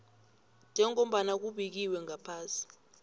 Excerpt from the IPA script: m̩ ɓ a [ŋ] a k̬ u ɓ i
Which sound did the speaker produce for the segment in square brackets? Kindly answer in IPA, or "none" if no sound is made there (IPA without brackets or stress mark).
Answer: n